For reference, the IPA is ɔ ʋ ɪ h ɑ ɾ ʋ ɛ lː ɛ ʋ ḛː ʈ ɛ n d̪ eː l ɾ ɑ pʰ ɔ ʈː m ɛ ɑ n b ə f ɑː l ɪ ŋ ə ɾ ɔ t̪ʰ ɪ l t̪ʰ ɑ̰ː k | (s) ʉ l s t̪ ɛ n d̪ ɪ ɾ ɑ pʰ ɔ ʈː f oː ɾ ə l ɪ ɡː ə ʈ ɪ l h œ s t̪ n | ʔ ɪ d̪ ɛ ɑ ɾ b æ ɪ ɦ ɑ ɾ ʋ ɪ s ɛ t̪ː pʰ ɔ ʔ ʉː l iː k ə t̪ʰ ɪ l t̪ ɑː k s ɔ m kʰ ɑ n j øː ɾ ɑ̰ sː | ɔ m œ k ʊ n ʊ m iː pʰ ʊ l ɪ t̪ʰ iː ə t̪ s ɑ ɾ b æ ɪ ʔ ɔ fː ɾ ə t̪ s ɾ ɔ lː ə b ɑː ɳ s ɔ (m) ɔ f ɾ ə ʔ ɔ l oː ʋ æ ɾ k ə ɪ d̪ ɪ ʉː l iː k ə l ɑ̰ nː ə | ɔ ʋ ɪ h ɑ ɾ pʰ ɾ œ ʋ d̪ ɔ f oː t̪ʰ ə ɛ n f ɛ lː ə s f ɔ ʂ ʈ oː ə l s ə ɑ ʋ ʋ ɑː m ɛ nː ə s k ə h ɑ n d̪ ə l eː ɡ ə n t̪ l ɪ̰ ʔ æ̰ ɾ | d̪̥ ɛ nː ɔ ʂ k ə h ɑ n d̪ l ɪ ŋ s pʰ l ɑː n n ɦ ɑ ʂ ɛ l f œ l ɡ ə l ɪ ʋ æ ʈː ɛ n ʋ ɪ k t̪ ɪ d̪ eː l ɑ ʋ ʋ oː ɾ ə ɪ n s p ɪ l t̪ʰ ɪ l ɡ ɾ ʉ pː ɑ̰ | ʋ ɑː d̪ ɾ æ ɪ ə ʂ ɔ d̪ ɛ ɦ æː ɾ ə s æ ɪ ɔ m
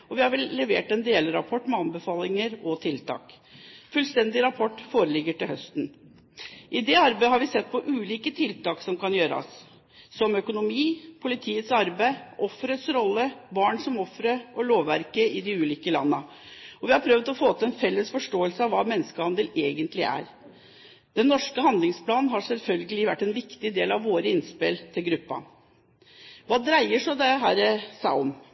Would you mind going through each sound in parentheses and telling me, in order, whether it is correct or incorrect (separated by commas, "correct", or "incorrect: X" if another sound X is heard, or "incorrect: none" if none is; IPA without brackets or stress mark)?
incorrect: f, correct